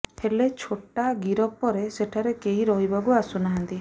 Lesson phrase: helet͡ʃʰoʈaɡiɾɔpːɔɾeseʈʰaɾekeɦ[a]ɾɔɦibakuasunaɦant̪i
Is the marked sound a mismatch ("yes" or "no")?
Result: yes